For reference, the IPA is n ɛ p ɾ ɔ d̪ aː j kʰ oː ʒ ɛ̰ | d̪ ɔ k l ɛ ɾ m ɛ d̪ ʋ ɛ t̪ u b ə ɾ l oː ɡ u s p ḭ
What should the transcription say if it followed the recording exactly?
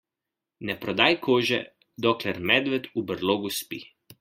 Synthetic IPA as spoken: n ɛ p ɾ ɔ d̪ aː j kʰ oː ʒ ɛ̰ | d̪ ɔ k l ɛ ɾ m ɛ d̪ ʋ ɛ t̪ u b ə ɾ l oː ɡ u s p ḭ